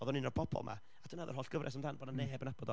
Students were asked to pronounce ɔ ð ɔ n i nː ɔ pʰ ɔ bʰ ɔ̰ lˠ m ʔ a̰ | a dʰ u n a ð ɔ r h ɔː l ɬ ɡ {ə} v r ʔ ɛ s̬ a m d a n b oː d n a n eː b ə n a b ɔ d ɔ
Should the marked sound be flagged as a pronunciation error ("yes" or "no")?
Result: no